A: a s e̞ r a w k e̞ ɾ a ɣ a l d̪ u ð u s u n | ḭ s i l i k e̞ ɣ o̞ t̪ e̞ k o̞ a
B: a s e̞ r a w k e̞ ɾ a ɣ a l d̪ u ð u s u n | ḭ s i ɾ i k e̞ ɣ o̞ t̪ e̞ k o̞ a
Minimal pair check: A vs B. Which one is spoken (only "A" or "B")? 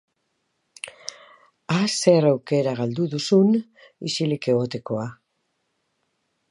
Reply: A